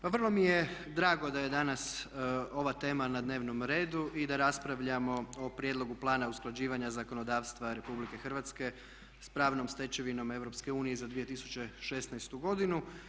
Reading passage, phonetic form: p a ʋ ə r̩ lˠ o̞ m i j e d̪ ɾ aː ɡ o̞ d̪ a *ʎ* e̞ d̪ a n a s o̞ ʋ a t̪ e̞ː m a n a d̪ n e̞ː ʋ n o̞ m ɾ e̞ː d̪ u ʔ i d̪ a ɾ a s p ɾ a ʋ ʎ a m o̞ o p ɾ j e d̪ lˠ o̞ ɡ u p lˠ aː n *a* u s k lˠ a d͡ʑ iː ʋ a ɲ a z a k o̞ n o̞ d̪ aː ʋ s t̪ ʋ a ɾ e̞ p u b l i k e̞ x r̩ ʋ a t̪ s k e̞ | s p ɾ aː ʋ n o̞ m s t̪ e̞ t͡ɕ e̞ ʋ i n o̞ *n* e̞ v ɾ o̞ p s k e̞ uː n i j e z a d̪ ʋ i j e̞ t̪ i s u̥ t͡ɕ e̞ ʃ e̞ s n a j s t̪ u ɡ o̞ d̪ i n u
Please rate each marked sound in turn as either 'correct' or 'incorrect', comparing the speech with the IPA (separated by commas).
incorrect, correct, incorrect